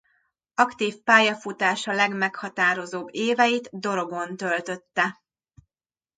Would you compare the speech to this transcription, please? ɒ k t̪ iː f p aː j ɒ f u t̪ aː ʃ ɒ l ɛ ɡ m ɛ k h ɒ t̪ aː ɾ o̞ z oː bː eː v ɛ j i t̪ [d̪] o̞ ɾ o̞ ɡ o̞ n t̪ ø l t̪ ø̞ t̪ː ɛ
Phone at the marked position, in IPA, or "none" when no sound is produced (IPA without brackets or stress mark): d̪